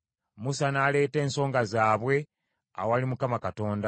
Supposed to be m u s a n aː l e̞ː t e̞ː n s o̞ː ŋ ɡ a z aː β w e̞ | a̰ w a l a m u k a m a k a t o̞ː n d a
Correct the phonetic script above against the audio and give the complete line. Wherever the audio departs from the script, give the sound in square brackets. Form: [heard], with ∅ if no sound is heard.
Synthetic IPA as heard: m u s a n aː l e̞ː t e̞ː n s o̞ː ŋ ɡ a z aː β w e̞ | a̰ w a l [i] m u k a m a k a t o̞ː n d a